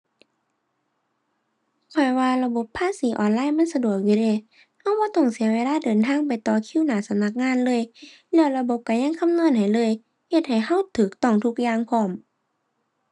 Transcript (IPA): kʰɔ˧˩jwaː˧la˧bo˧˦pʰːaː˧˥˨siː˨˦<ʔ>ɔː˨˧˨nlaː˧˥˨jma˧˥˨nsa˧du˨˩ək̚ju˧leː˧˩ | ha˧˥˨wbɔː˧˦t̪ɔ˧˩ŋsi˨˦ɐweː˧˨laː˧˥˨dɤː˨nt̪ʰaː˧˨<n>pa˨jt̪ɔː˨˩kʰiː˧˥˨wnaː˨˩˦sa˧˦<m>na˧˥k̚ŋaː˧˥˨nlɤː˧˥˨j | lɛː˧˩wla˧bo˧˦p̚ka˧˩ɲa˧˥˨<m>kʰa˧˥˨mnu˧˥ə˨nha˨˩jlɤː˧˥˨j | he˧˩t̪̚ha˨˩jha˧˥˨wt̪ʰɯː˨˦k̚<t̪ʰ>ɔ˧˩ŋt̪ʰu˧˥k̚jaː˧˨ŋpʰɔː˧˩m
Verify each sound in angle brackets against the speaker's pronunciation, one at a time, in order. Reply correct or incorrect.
correct, incorrect: ŋ, correct, incorrect: ŋ, incorrect: t̪

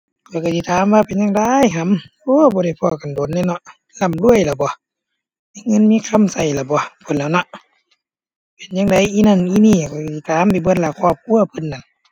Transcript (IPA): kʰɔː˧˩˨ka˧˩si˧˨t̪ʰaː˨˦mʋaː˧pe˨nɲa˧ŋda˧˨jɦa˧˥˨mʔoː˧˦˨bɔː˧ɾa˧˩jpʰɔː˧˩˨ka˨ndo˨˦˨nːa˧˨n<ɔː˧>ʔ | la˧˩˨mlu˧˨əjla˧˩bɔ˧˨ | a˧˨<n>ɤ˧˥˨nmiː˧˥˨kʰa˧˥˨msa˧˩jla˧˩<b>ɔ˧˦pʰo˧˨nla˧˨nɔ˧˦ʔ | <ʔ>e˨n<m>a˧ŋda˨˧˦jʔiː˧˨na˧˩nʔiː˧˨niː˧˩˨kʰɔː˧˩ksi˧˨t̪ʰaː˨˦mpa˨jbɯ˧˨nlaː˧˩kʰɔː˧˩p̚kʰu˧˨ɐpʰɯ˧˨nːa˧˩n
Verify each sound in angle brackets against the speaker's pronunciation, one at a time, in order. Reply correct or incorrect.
incorrect: ɔ˧, incorrect: ŋ, correct, incorrect: p, incorrect: ɲ

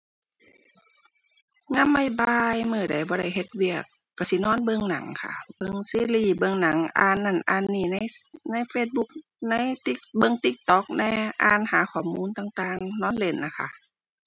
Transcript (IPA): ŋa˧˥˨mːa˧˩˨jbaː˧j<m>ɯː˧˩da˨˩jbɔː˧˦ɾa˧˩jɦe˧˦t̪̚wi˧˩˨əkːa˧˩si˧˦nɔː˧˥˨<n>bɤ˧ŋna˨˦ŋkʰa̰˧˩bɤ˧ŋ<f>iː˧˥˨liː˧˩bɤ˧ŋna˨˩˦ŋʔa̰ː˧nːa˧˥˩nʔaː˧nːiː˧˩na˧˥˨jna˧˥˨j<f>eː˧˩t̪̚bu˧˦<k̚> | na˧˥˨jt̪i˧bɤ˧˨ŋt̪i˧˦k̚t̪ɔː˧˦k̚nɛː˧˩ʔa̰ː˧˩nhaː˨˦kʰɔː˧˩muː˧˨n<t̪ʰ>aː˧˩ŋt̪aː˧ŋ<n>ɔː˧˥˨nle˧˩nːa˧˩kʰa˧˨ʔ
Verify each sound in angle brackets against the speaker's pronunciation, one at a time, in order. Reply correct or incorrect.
correct, correct, incorrect: s, correct, correct, incorrect: t̪, correct

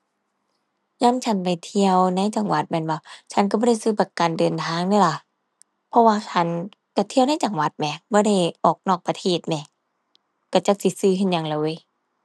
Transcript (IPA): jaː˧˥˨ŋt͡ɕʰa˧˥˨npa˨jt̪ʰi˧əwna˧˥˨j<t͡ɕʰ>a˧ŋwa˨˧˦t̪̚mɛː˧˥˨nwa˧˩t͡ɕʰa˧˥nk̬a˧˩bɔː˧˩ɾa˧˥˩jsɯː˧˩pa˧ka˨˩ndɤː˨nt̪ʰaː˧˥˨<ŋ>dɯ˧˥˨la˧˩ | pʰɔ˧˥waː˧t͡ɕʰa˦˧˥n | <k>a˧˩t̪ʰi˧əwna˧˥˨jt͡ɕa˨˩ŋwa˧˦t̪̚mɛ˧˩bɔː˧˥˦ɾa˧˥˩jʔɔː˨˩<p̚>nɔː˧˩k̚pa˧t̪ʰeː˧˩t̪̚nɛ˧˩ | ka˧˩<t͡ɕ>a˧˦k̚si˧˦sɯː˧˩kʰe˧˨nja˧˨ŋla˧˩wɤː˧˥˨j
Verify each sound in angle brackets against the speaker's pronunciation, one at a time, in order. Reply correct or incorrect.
incorrect: t͡ɕ, correct, correct, incorrect: k̚, correct

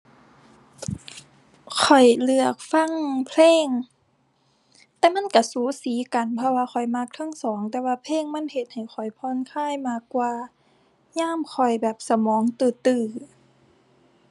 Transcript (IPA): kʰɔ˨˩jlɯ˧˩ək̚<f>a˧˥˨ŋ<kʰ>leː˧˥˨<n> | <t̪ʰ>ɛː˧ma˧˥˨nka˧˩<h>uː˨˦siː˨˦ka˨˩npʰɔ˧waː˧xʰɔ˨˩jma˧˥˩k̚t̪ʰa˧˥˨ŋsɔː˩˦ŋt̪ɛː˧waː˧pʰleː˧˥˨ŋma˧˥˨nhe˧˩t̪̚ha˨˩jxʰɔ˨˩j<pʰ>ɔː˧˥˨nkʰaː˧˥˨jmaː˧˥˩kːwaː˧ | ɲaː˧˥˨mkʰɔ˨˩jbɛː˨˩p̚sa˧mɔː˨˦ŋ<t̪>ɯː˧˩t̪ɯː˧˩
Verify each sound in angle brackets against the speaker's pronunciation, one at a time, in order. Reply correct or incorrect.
correct, incorrect: pʰ, incorrect: ŋ, incorrect: t̪, incorrect: s, correct, correct

